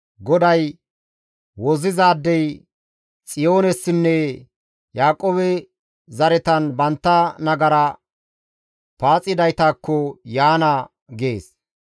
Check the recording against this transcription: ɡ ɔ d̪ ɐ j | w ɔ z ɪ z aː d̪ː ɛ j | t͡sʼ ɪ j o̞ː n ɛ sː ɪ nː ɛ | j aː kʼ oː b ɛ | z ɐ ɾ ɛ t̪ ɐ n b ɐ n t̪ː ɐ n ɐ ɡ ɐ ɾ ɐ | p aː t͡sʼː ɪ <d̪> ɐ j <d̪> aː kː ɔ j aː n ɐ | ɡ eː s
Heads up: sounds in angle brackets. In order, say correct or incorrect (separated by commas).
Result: correct, incorrect